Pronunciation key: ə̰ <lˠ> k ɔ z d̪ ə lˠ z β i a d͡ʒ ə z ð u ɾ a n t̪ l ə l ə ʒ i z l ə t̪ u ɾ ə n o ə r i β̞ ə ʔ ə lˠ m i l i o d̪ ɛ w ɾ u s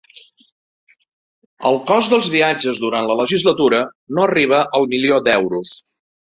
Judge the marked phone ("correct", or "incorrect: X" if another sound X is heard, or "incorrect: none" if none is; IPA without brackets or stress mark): correct